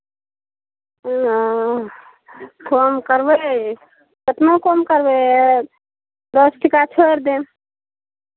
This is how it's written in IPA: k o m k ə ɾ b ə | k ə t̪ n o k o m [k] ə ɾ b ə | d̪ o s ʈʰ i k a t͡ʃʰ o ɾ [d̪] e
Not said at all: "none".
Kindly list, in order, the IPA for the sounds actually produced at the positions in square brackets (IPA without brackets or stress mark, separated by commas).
k, d̪